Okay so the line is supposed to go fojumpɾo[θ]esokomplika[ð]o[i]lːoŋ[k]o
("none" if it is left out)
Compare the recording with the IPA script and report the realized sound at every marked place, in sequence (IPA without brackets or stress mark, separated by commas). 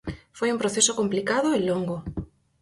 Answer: θ, ð, e, ɡ